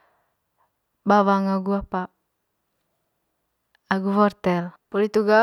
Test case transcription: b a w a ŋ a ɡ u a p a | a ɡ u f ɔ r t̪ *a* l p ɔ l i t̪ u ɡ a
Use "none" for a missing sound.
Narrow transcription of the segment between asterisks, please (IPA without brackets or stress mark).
ɛ